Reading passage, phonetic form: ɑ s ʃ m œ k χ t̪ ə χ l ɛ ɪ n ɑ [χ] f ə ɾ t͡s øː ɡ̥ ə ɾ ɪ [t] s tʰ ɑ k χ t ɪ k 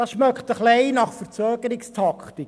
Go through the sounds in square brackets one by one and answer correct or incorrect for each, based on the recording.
correct, incorrect

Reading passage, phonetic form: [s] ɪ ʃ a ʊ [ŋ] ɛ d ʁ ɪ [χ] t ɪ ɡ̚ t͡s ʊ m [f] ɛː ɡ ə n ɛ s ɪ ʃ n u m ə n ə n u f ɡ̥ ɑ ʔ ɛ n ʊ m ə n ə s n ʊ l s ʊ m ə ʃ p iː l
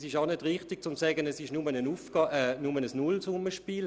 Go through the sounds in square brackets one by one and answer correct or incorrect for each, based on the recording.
correct, incorrect, correct, incorrect

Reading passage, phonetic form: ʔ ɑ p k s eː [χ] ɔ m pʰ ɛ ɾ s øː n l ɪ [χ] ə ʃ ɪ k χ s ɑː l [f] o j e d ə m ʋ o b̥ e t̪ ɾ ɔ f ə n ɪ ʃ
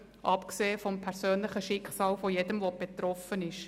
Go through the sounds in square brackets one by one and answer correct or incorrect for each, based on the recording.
incorrect, correct, correct

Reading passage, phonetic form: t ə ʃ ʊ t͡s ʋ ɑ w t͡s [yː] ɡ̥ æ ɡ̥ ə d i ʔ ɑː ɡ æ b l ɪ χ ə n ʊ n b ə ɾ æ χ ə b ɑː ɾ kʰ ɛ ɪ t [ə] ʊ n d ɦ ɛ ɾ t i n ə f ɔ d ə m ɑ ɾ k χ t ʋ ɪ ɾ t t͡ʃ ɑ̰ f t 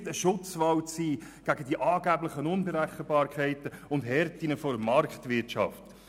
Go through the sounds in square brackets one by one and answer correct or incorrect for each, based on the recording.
incorrect, correct

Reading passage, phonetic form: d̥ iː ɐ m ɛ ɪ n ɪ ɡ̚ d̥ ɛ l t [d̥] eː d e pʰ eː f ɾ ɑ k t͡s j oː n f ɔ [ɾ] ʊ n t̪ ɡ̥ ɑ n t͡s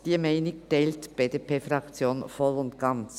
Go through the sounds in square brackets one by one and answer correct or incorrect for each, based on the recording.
incorrect, incorrect

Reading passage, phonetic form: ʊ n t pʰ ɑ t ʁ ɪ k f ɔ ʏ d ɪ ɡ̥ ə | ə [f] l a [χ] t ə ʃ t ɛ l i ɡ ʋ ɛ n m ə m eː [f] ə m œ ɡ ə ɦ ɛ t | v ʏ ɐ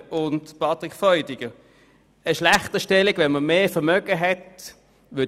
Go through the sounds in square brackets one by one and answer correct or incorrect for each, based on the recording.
incorrect, correct, correct

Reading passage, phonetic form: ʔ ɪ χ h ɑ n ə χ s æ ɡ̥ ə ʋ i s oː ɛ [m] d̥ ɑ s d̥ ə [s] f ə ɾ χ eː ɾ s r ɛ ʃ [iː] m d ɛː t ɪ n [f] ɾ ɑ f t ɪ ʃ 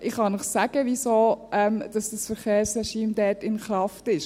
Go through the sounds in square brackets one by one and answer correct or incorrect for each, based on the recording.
correct, correct, correct, incorrect

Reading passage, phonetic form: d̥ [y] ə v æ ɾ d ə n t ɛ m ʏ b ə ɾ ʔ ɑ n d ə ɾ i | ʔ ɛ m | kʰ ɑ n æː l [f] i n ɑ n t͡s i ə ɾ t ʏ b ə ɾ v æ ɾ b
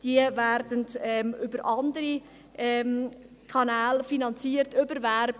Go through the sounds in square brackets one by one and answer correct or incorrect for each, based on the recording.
incorrect, correct

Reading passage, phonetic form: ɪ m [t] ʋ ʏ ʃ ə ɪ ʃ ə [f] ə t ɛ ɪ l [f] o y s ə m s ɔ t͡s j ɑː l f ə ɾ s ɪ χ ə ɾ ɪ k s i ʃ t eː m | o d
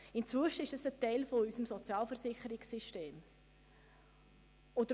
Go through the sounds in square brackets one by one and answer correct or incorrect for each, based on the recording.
incorrect, incorrect, correct

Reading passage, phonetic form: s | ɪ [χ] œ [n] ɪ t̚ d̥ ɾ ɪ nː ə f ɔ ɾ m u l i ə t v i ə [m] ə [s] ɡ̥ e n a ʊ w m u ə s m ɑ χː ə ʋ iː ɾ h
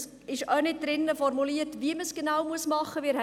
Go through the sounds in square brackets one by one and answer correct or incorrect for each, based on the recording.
incorrect, correct, correct, correct

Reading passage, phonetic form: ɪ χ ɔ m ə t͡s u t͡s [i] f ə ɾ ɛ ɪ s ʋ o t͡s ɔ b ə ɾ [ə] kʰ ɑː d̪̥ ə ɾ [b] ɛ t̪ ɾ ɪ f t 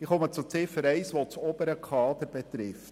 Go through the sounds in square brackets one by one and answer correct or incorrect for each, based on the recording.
incorrect, correct, correct

